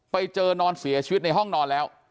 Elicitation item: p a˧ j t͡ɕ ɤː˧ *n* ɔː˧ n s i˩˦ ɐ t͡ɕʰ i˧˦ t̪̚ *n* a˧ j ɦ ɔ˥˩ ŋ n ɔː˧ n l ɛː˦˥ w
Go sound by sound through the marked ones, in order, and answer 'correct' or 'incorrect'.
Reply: correct, correct

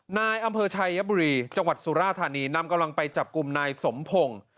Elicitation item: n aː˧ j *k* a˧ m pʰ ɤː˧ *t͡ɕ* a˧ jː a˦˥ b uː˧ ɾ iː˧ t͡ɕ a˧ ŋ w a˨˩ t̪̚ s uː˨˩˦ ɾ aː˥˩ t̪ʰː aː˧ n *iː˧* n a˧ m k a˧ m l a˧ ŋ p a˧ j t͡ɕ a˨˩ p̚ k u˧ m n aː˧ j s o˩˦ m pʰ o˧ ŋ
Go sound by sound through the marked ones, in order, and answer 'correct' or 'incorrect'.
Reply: incorrect, incorrect, correct

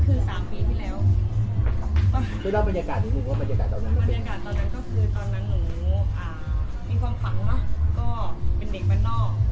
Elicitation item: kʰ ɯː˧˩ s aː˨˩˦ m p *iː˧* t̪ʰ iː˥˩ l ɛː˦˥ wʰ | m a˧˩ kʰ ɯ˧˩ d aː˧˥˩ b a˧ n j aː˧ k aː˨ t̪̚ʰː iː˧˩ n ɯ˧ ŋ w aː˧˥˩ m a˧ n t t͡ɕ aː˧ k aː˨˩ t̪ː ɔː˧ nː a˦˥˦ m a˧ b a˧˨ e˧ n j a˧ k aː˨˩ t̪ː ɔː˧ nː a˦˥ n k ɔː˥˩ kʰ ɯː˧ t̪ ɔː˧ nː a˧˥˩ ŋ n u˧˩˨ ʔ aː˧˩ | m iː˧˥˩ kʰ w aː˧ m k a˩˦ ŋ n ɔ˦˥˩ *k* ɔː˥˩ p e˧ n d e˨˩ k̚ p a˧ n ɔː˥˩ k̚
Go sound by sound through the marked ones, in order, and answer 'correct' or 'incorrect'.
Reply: correct, correct

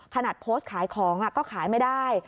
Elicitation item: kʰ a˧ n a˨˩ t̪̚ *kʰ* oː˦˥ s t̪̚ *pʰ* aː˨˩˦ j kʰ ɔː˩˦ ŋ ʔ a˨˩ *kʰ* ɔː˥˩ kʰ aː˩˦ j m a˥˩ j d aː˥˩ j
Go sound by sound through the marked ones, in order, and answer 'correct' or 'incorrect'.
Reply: incorrect, incorrect, incorrect

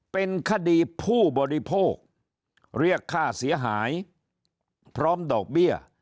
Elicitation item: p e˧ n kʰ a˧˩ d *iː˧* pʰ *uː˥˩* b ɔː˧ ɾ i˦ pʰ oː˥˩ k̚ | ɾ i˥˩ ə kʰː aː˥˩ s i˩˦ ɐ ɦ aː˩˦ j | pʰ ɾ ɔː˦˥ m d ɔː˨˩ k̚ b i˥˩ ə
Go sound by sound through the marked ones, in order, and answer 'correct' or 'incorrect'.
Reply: correct, correct

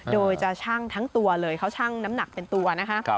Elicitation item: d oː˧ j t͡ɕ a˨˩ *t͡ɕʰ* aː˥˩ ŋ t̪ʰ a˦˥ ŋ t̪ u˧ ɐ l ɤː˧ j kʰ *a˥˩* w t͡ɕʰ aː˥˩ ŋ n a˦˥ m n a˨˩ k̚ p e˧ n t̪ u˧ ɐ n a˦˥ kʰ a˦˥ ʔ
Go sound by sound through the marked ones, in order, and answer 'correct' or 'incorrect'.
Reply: correct, correct

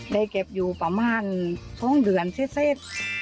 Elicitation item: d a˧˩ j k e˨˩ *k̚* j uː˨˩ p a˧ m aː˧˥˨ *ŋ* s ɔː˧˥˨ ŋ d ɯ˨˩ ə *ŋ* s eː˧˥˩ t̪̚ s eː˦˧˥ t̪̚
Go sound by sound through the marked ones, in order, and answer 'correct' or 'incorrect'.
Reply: incorrect, incorrect, incorrect

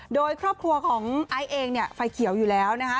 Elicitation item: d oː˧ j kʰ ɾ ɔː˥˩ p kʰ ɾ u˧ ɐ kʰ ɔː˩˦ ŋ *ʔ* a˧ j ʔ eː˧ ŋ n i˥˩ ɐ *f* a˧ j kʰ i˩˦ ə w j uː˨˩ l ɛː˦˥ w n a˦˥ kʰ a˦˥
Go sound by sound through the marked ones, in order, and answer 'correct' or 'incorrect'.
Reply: correct, correct

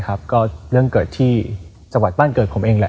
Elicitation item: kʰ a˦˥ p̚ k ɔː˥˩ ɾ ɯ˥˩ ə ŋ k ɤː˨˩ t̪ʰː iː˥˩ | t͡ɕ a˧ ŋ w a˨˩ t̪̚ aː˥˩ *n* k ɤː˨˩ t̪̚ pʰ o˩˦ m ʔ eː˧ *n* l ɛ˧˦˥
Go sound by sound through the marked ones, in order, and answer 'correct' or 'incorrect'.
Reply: correct, incorrect

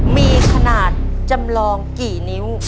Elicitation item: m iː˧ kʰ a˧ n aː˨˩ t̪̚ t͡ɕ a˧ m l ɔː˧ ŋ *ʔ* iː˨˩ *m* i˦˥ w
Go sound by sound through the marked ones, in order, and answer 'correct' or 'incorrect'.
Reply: incorrect, incorrect

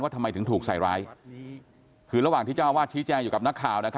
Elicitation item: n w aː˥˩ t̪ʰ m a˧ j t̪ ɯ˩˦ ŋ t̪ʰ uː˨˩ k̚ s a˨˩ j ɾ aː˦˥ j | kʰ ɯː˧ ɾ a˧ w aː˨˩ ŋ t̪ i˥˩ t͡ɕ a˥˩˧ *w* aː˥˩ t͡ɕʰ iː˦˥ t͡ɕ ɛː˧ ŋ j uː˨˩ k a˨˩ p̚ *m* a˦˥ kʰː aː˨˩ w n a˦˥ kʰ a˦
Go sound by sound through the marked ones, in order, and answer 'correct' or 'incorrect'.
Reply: correct, incorrect

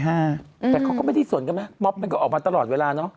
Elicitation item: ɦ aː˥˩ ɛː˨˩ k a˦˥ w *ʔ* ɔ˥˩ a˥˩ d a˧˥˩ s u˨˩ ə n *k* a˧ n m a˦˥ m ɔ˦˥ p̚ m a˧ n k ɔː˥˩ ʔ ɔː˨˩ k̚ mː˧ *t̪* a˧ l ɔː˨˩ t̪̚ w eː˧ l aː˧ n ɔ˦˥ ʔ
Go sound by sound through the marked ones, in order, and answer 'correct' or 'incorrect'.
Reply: incorrect, correct, correct

